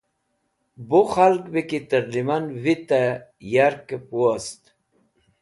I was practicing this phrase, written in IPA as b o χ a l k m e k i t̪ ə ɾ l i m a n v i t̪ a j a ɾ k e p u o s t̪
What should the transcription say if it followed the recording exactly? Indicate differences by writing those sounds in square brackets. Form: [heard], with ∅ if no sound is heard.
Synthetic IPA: b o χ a l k [b] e k i t̪ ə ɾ l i m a n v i t̪ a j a ɾ k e p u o s t̪